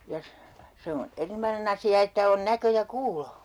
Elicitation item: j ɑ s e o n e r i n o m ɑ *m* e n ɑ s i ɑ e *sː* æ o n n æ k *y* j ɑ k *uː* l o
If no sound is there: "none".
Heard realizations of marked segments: n, tː, ø, uː

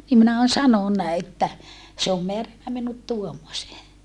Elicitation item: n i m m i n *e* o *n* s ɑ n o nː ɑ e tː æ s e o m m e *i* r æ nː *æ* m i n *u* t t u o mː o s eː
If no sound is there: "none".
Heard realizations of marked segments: æ, n, æ, æ, u

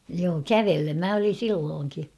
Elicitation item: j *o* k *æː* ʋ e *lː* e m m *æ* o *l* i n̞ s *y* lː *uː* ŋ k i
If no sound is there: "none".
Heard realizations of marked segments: oː, æ, lː, æ, l, i, oː

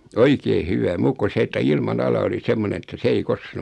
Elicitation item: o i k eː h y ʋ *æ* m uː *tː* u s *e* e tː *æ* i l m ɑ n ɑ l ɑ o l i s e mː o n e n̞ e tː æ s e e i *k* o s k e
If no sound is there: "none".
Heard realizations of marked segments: æ, kː, e, æ, k

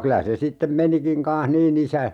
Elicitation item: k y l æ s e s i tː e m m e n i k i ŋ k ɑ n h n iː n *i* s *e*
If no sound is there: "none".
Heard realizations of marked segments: i, æ

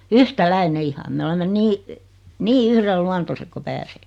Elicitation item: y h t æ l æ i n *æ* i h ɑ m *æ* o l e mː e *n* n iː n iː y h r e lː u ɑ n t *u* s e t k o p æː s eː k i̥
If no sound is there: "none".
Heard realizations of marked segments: e, e, n, o

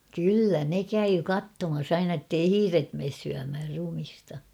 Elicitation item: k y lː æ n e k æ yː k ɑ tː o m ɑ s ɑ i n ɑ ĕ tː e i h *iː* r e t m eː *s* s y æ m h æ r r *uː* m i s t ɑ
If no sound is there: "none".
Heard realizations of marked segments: iː, s, u

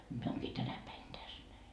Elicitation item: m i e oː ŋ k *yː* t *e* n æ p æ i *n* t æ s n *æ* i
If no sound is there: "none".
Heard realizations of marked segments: iː, æ, n, æ

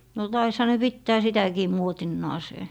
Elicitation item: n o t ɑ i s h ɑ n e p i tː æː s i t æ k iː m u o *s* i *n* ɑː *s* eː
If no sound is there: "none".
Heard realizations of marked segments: t, nː, s

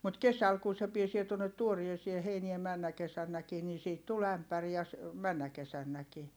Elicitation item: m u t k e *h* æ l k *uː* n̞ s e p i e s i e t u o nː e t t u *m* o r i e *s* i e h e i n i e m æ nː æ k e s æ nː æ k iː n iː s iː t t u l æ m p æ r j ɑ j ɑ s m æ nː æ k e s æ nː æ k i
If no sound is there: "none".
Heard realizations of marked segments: s, u, none, s

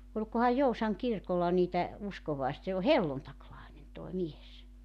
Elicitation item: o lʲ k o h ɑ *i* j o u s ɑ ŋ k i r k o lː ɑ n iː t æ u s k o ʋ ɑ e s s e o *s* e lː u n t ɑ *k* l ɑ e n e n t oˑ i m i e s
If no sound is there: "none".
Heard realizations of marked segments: j, h, k

